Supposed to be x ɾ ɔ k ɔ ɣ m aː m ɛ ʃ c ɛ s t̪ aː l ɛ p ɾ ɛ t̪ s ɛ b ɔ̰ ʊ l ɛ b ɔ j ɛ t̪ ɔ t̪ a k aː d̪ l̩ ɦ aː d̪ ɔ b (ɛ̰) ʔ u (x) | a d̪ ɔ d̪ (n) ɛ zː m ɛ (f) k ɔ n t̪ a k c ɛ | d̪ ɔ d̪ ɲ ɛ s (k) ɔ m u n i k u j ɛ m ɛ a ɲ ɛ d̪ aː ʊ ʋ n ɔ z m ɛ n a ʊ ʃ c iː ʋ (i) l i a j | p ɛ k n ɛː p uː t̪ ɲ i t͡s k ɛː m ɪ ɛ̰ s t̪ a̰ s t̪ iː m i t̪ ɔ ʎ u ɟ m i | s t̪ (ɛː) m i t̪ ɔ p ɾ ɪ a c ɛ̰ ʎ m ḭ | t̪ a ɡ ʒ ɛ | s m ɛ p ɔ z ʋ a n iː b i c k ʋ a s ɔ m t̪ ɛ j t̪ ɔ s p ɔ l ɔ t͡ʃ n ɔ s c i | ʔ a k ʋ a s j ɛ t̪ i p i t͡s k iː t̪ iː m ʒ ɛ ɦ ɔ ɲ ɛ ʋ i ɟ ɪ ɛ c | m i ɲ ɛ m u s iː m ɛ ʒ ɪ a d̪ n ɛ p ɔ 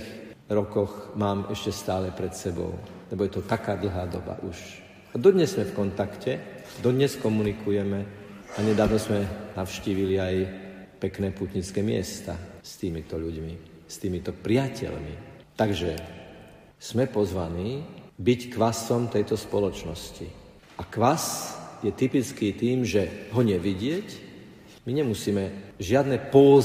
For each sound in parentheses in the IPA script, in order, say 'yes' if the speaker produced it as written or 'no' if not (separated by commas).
no, no, no, yes, yes, yes, no